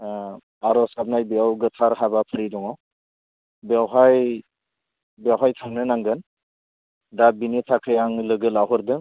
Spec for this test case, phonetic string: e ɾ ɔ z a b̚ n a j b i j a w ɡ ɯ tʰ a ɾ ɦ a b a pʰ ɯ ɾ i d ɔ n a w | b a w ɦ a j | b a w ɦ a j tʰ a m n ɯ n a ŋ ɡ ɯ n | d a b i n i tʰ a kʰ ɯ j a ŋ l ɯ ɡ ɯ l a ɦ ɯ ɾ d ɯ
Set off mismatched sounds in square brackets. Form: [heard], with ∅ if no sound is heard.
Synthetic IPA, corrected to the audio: [a] ɾ ɔ [s] a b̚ n a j b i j a w ɡ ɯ tʰ a ɾ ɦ a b a pʰ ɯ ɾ i d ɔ [ŋ] a w | b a w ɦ a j | b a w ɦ a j tʰ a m n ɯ n a ŋ ɡ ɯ n | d a b i n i tʰ a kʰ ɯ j a ŋ l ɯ ɡ ɯ l a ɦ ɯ ɾ d ɯ